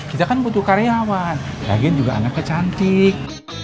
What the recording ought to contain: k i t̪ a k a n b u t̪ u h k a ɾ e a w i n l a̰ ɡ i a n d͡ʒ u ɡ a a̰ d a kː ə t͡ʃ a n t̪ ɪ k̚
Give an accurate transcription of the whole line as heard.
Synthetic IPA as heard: k i t̪ a k a n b u t̪ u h k a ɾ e a w a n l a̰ ɡ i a n d͡ʒ u ɡ a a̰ n a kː ə t͡ʃ a n t̪ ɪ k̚